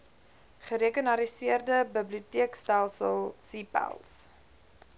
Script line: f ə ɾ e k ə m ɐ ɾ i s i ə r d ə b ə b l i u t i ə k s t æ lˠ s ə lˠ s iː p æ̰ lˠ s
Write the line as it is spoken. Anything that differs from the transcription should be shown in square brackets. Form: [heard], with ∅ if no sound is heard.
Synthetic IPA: [χ] ə ɾ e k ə [n] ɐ ɾ i s i ə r d ə b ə b l i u t i ə k s t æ lˠ s ə lˠ s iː p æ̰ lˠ s